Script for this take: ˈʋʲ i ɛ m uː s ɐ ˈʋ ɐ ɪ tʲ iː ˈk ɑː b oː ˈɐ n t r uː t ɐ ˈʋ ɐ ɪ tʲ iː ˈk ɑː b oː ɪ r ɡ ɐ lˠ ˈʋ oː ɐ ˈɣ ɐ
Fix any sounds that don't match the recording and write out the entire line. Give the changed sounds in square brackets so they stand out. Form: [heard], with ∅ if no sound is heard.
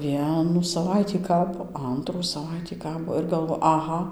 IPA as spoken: ˈʋʲ i ɛ [n] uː s ɐ ˈʋ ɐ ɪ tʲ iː ˈk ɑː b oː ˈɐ n t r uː [s] ɐ ˈʋ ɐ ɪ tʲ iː ˈk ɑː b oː ɪ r ɡ ɐ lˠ ˈʋ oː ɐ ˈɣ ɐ